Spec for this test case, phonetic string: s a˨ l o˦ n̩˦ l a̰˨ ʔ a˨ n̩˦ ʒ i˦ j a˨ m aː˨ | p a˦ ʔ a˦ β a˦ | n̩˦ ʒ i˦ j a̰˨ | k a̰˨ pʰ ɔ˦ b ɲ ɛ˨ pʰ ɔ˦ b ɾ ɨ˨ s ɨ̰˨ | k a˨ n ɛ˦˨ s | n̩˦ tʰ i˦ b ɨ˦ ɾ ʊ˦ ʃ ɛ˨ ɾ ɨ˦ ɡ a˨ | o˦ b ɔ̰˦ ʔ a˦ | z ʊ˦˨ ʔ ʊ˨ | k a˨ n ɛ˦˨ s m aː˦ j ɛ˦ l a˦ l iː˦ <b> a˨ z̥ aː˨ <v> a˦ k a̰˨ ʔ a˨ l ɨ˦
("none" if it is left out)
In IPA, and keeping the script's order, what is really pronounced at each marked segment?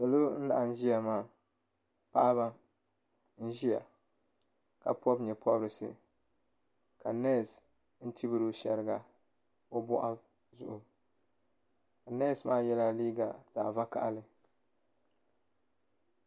ɡ, v

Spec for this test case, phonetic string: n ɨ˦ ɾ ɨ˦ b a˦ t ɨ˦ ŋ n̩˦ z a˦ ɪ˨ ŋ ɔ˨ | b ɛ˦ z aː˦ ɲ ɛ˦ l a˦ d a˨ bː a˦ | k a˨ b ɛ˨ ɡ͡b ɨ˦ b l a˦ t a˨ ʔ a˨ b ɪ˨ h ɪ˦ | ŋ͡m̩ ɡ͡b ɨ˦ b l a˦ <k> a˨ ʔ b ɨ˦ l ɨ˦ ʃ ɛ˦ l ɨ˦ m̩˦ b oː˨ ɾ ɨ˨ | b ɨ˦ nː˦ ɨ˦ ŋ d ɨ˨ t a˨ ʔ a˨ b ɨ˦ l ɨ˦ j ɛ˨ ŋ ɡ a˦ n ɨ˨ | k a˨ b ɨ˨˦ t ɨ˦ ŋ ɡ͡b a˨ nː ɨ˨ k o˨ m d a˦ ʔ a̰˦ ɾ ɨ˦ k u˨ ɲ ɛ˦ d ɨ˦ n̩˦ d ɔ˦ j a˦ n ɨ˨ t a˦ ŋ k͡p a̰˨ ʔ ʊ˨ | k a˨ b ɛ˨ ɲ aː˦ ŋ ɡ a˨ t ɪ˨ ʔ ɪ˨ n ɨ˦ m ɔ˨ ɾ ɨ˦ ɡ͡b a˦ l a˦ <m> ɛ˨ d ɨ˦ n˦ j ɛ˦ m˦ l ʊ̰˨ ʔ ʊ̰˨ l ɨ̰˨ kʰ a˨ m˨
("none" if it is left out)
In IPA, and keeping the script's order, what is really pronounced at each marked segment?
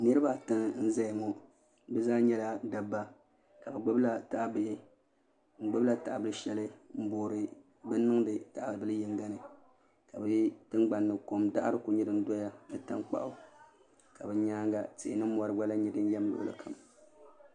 t, ɲ

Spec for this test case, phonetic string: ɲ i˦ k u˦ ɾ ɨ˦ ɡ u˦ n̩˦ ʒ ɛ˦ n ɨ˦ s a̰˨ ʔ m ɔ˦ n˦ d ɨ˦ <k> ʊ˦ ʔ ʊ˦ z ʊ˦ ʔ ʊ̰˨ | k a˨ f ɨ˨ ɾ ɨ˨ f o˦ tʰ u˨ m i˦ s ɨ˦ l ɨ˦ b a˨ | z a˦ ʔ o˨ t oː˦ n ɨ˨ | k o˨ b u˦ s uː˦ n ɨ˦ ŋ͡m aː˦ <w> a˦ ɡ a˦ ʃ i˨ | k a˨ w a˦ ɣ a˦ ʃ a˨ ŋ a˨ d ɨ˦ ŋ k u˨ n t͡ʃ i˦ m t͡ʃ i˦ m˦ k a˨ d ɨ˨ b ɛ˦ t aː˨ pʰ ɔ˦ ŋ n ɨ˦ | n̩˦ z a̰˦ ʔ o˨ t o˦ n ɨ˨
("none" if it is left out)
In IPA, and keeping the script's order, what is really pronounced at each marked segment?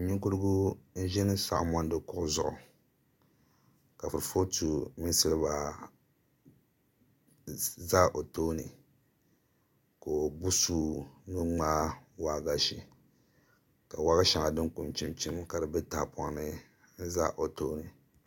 k, w

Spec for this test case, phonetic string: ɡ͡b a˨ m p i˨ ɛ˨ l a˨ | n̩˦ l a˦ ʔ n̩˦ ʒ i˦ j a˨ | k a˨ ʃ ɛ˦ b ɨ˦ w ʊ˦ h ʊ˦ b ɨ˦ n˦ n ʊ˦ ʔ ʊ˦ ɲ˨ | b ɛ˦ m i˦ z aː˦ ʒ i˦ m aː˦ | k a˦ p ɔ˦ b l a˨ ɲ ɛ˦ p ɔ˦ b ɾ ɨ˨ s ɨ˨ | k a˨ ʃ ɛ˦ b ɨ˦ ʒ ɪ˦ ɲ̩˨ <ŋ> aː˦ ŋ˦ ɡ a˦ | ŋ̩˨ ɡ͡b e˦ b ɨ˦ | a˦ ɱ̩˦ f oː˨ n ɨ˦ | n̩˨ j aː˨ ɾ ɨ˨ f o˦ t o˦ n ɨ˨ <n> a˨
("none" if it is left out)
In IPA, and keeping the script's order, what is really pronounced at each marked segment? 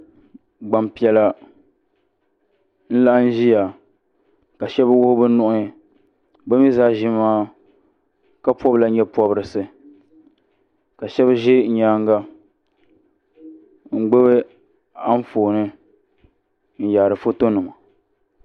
ɲ, m

